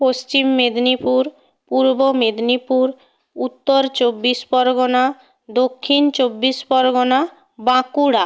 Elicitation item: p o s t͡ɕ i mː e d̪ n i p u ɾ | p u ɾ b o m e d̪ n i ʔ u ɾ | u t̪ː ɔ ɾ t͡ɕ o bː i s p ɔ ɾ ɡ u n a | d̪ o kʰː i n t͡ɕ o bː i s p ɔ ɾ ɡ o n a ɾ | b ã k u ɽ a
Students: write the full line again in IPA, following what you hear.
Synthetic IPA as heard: p o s t͡ɕ i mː e d̪ n i p u ɾ | p u ɾ b o m e d̪ n i p u ɾ | u t̪ː o ɾ t͡ɕ o bː i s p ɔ ɾ ɡ o n a | d̪ o kʰː i n t͡ɕ o bː i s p ɔ ɾ ɡ o n a | b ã k u ɽ a